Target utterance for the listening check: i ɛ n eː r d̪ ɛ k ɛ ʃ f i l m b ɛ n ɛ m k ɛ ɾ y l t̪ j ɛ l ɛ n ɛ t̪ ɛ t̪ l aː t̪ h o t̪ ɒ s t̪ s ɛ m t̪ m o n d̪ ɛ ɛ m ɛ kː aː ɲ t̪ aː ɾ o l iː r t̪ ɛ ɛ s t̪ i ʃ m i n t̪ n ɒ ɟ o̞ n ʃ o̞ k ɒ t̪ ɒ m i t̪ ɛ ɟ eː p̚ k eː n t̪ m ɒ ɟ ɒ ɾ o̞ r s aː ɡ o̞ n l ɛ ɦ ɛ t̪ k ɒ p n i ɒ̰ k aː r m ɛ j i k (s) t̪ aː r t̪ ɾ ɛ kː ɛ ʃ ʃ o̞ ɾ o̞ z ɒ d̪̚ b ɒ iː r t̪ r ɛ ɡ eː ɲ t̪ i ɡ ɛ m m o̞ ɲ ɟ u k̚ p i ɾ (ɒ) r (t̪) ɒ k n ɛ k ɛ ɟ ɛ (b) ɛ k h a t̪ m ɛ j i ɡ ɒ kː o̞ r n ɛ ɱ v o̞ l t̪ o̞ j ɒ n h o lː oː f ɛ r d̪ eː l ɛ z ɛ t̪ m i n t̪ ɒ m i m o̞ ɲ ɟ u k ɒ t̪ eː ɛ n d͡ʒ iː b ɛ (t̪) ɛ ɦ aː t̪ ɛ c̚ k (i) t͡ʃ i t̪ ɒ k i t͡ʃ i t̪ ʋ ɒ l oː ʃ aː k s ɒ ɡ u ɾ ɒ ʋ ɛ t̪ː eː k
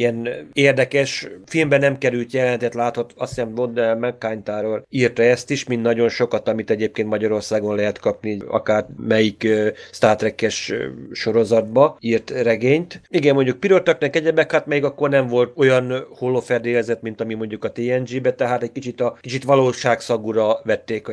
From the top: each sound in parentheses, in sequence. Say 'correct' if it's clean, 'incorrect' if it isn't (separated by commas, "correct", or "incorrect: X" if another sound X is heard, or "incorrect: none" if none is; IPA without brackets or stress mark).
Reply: correct, incorrect: o, correct, correct, correct, correct